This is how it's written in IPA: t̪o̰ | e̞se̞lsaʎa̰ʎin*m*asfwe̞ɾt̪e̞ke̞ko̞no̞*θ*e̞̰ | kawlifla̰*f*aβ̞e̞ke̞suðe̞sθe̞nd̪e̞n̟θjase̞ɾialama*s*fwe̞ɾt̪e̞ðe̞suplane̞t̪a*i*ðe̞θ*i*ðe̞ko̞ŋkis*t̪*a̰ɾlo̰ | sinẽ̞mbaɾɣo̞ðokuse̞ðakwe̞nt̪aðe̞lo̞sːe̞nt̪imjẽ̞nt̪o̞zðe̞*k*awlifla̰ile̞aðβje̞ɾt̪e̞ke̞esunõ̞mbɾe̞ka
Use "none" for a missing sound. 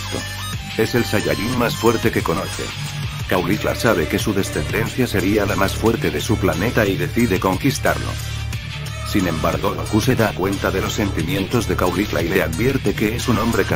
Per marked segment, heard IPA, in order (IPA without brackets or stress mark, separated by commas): m, θ, s, s, i, i, t̪, k